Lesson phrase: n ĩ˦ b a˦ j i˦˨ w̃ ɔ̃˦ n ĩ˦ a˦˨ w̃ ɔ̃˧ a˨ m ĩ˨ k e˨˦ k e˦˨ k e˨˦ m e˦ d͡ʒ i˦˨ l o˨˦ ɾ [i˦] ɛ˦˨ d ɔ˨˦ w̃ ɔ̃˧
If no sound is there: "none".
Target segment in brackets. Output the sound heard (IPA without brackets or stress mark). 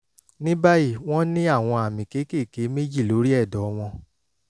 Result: i˦